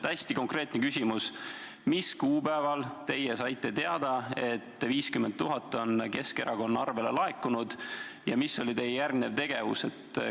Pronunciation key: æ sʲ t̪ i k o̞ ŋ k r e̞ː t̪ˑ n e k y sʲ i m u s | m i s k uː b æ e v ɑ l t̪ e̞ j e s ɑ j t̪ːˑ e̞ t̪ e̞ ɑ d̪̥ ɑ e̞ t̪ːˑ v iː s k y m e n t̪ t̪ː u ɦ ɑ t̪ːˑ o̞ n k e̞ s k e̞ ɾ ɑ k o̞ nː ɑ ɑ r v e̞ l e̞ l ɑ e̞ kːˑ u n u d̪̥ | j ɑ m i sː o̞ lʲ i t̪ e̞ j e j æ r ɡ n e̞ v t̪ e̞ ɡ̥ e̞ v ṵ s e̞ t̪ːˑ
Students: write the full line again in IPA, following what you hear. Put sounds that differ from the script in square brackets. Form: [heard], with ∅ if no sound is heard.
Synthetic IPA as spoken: æ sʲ t̪ i k o̞ ŋ k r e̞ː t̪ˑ n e k y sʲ i m u s | m i s k uː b æ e v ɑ l t̪ e̞ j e s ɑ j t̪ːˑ e̞ t̪ e̞ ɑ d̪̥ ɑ e̞ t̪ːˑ v iː s k y m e n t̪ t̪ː u ɦ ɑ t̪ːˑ o̞ n k e̞ s k e̞ ɾ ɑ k o̞ nː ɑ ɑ r v e̞ l e̞ l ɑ e̞ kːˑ u n u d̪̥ | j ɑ m i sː o̞ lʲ i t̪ e̞ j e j æ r ɡ n e̞ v t̪ e̞ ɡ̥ e̞ v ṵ s e̞ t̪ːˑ